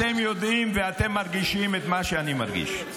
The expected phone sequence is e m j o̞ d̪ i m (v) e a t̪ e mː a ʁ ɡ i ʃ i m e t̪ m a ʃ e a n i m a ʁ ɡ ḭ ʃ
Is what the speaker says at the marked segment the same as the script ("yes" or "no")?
yes